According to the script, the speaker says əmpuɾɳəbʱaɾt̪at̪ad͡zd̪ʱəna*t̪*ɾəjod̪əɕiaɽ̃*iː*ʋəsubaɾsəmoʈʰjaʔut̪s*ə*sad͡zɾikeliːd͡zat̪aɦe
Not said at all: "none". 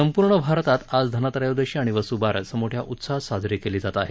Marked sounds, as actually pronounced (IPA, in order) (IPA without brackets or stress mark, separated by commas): t̪, i, a